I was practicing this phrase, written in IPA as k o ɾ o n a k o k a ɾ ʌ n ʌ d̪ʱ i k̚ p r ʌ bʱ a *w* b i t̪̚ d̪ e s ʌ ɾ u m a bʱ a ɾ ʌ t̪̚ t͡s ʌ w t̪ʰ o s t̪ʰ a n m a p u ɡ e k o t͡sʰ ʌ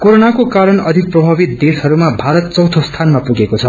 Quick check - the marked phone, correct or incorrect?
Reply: incorrect